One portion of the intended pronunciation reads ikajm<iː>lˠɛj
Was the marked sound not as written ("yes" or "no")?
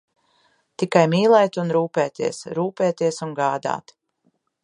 no